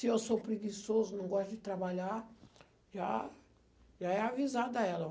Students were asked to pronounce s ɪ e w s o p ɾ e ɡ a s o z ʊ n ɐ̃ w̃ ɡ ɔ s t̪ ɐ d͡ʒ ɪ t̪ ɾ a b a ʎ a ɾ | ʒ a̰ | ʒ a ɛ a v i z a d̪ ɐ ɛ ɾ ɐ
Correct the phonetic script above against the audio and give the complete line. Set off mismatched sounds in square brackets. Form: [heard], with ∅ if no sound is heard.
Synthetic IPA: s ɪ e w s o p ɾ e ɡ [i] s o z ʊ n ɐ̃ w̃ ɡ ɔ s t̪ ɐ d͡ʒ ɪ t̪ ɾ a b a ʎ a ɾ | ʒ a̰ | ʒ a ɛ a v i z a d̪ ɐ ɛ [l] ɐ